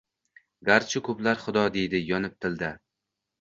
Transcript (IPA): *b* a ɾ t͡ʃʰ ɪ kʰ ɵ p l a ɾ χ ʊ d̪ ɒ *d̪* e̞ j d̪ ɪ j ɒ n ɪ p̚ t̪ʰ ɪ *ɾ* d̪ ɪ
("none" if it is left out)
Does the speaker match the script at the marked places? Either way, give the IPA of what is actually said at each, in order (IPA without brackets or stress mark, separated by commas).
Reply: ɡ, d̪, l